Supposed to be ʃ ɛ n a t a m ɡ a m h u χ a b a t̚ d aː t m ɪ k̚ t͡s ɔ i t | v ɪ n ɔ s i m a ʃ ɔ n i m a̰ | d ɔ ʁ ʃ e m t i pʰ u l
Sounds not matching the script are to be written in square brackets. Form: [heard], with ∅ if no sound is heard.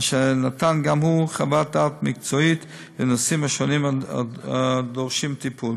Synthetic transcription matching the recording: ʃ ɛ n a t a [n] ɡ a m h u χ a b a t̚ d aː t m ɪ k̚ t͡s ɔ i t | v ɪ n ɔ s i m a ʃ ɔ n i m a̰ | d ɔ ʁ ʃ [i] m t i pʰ u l